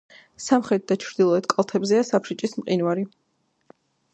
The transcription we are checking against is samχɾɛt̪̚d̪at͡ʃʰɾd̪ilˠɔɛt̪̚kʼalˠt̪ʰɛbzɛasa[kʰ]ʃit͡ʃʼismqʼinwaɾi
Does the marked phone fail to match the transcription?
yes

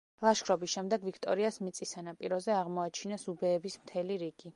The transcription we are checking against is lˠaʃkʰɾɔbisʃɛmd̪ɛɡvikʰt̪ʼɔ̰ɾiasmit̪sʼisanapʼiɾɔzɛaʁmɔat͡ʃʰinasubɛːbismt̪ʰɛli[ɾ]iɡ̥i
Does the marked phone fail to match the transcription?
no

